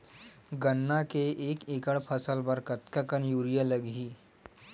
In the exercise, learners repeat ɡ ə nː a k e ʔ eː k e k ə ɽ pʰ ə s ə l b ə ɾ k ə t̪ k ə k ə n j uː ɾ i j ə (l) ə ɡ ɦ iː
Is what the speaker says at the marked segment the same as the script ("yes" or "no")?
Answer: yes